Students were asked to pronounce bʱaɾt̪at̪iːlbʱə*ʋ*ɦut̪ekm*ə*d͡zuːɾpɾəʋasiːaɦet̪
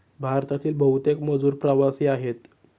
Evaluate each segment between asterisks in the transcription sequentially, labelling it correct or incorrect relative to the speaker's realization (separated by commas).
incorrect, correct